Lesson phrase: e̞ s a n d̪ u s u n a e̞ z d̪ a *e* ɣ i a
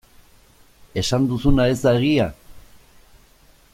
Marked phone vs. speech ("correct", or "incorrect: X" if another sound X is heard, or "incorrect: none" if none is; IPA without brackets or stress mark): correct